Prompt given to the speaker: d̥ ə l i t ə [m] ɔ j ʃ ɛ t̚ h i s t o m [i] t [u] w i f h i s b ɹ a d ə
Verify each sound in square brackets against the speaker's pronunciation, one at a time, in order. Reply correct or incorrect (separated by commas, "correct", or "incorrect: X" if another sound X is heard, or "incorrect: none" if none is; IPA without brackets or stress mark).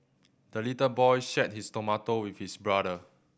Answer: incorrect: b, incorrect: a, incorrect: o